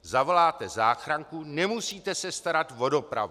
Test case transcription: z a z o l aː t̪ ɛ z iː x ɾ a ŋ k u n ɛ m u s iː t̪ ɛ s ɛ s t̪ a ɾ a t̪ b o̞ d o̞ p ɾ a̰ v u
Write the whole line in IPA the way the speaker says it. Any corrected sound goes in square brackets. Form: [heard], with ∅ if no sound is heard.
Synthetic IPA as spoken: z a [v] o l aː t̪ ɛ z [aː] x ɾ a ŋ k u n ɛ m u s iː t̪ ɛ s ɛ s t̪ a ɾ a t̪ [v] o̞ d o̞ p ɾ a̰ v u